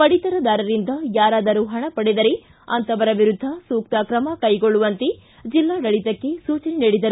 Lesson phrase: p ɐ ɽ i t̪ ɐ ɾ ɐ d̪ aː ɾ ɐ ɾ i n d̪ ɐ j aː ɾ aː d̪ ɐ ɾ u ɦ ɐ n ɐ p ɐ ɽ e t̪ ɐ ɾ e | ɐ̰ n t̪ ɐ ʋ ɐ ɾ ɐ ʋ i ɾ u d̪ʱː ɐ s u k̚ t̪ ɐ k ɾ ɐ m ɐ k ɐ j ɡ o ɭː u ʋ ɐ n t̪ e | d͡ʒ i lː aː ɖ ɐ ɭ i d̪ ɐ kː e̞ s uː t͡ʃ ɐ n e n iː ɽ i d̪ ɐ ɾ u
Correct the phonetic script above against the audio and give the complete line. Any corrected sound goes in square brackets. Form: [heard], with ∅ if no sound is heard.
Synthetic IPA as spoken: p ɐ ɽ i t̪ ɐ ɾ ɐ d̪ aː ɾ ɐ ɾ i n d̪ ɐ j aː ɾ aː d̪ ɐ ɾ u ɦ ɐ [ɳ] ɐ p ɐ ɽ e [d̪] ɐ ɾ e | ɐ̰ n t̪ ɐ ʋ ɐ ɾ ɐ ʋ i ɾ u d̪ʱː ɐ s [uː] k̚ t̪ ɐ k ɾ ɐ m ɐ k ɐ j ɡ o ɭː u ʋ ɐ n t̪ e | d͡ʒ i lː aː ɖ ɐ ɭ i [t̪] ɐ kː e̞ s uː t͡ʃ ɐ n e n iː ɽ i d̪ ɐ ɾ u